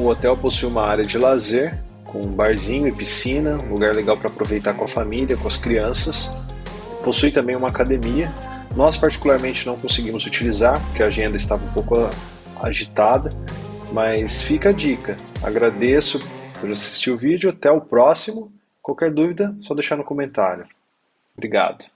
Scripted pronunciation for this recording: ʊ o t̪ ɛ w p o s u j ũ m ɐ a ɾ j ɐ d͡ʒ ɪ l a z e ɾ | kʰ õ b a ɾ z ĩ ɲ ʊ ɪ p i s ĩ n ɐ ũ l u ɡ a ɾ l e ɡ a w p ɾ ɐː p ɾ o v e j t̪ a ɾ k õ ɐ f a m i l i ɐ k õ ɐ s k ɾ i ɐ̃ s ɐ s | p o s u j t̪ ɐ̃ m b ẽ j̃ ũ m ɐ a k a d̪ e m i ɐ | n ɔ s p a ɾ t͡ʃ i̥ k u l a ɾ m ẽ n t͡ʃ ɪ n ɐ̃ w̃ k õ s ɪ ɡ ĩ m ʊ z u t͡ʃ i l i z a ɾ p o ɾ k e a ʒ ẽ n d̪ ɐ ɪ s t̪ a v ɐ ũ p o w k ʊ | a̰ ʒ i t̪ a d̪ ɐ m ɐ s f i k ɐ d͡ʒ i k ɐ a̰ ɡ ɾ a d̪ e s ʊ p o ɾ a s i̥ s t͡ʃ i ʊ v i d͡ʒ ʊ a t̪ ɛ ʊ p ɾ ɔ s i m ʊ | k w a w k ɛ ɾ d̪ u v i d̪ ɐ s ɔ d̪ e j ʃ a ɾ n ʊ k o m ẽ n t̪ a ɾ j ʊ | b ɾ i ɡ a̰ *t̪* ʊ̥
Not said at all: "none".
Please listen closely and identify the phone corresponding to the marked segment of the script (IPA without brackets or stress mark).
d̪